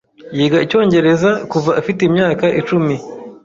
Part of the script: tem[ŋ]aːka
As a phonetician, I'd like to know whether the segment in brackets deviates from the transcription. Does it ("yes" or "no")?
yes